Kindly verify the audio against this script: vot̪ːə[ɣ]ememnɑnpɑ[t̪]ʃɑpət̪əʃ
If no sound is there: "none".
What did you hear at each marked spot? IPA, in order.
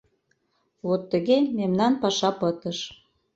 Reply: ɣ, none

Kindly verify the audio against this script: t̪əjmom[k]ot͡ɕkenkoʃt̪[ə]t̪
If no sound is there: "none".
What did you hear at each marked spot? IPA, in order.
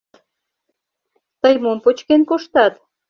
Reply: p, ɑ

